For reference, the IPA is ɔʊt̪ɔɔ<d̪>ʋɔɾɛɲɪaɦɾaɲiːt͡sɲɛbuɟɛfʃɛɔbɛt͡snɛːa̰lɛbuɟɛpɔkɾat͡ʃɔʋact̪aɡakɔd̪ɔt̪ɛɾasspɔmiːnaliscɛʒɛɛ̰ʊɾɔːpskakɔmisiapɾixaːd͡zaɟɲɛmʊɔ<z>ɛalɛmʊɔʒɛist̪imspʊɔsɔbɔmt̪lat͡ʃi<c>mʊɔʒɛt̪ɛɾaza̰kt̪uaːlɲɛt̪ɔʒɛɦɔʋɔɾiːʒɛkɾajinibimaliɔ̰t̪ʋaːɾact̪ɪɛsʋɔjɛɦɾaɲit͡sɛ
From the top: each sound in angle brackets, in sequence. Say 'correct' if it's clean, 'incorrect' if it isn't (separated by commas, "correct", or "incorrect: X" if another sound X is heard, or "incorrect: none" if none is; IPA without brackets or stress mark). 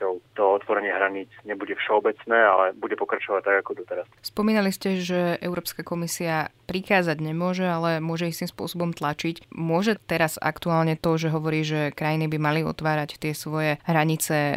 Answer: incorrect: t̪, incorrect: ʒ, correct